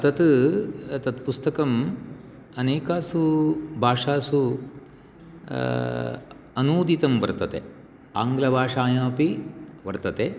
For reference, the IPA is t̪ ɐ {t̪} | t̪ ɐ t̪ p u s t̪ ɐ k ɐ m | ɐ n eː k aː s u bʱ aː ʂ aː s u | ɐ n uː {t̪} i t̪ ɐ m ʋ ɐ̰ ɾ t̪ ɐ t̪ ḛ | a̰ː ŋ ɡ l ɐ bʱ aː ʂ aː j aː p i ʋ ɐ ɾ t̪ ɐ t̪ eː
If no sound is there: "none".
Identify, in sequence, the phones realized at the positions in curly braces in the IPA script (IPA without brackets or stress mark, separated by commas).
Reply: t̪, d̪